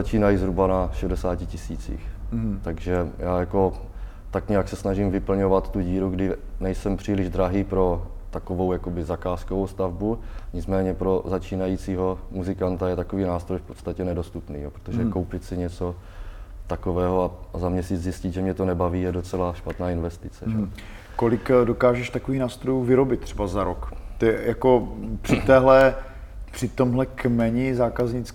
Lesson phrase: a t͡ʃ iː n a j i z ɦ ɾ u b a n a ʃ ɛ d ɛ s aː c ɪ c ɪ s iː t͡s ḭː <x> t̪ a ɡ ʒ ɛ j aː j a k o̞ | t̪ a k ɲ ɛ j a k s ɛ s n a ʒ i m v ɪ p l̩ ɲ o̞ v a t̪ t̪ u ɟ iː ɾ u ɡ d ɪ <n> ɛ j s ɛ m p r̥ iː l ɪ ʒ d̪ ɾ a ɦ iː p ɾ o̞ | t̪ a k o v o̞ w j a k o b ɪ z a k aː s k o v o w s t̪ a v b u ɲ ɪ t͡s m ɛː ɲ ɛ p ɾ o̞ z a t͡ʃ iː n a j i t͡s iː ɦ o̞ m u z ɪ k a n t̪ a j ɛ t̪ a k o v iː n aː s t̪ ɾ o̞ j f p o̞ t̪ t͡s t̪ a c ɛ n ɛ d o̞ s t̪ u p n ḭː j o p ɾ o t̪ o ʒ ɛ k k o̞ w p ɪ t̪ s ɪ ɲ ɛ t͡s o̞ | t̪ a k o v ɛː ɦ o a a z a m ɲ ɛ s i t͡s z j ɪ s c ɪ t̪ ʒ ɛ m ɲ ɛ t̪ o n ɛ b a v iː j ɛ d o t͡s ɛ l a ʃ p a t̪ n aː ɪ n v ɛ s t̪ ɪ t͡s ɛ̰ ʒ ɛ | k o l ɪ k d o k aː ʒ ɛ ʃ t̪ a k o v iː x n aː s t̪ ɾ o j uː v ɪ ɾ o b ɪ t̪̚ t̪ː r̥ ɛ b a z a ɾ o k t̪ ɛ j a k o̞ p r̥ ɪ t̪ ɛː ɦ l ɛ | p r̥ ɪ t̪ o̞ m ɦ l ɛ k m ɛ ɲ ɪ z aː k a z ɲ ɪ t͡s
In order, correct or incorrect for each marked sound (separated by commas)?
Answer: correct, correct